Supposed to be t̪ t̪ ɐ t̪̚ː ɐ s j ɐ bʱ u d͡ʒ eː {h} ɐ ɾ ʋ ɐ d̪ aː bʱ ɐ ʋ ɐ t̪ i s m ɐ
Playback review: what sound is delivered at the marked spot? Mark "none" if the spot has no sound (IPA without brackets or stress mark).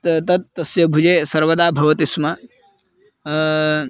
s